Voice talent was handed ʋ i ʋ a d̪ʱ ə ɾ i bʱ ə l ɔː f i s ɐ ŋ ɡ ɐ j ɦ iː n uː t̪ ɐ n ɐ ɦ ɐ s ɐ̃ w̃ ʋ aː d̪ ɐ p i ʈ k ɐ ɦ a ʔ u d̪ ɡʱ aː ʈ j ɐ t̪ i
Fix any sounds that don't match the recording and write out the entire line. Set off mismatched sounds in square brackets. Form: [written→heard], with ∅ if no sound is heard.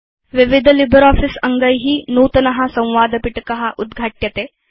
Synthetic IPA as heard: ʋ i ʋ [a→i] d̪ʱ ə [ɾ→l] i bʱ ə [l→ɾ] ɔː f i s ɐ ŋ ɡ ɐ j ɦ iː n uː t̪ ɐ n ɐ ɦ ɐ s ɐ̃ w̃ ʋ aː d̪ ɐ p i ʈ k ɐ ɦ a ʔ u d̪ ɡʱ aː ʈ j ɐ t̪ [i→e]